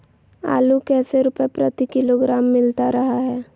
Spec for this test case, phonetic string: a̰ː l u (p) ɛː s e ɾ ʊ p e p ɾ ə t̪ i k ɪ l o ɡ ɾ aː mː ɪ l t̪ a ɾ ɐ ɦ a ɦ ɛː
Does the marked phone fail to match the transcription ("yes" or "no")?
yes